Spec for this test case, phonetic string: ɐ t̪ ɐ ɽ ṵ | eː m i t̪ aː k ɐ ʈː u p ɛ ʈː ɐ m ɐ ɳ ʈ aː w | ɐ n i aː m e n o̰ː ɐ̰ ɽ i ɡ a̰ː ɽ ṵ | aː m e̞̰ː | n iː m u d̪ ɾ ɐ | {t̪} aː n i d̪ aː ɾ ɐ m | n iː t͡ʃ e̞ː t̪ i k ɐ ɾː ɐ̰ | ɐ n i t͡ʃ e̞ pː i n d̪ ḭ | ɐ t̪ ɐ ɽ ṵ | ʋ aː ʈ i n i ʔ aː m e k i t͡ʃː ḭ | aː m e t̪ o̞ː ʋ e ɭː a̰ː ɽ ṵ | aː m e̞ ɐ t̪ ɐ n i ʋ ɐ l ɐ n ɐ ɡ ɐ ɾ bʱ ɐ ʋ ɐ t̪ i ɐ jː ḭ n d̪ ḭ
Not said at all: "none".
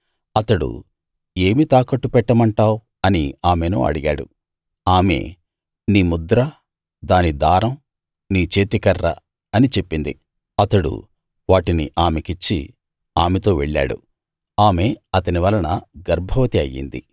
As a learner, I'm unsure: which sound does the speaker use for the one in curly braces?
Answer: d̪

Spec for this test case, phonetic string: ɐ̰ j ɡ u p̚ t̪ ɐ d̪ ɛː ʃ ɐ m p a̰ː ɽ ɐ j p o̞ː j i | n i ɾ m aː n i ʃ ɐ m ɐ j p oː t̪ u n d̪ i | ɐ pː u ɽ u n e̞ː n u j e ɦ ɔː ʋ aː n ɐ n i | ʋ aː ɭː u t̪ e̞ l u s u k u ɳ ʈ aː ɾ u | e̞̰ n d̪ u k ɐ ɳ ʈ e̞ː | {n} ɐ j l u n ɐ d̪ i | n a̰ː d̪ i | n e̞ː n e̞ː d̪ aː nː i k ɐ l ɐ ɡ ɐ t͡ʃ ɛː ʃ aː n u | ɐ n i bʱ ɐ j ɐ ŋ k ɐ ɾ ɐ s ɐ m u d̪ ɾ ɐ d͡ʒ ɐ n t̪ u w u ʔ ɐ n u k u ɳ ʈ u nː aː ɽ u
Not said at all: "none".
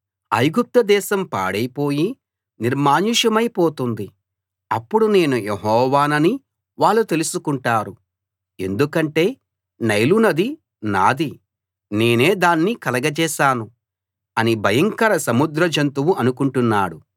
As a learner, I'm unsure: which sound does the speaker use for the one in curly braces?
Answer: n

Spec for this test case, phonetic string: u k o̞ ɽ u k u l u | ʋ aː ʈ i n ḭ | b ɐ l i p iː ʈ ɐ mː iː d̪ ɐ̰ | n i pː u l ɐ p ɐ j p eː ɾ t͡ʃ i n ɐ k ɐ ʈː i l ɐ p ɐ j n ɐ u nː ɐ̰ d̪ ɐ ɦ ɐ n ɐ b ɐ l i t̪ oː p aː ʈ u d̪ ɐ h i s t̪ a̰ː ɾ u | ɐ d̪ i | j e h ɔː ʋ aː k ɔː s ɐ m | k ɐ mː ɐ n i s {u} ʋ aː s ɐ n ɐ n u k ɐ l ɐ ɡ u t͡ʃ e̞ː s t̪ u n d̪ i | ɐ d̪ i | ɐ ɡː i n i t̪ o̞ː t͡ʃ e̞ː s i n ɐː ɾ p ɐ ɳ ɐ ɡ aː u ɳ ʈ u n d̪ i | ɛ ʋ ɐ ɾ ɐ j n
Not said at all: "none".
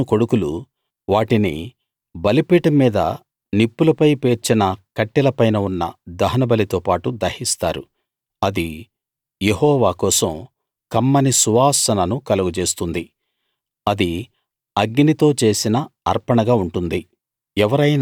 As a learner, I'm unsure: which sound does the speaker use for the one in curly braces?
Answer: u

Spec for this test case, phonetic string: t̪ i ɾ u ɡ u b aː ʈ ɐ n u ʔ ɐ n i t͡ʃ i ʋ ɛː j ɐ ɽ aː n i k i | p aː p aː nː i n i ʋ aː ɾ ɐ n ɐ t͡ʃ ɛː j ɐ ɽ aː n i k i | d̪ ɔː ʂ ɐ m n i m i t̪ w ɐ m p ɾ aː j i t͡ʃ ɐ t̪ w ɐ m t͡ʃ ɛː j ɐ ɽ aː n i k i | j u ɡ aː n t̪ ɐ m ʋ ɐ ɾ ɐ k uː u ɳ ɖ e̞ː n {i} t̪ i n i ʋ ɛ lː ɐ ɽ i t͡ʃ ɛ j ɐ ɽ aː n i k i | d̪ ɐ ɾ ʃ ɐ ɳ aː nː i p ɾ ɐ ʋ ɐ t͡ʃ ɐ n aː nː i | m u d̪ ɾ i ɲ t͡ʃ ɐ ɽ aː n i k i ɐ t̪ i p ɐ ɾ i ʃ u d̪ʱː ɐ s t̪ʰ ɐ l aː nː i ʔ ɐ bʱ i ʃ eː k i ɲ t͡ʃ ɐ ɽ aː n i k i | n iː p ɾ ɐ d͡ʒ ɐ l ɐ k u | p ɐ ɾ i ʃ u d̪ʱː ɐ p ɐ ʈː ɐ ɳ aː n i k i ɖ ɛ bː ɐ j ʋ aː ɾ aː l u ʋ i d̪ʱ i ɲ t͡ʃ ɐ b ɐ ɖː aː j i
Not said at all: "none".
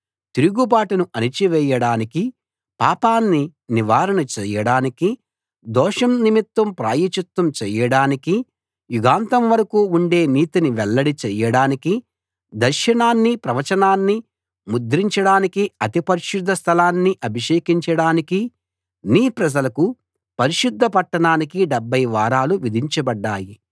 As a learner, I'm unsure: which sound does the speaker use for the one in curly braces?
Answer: iː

